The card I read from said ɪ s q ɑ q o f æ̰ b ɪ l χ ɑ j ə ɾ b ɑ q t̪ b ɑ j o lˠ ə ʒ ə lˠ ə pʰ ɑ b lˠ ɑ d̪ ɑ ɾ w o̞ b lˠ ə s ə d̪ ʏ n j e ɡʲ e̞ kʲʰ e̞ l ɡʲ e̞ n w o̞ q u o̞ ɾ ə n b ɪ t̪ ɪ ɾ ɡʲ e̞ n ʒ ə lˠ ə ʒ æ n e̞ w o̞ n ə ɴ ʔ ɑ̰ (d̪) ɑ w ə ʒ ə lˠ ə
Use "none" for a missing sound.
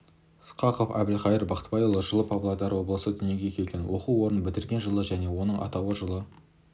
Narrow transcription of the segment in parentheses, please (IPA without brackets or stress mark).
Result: t̪